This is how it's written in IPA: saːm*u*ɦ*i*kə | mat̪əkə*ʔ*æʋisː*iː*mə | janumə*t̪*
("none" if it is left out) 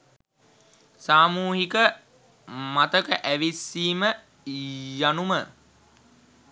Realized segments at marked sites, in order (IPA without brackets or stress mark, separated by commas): uː, i, ʔ, iː, none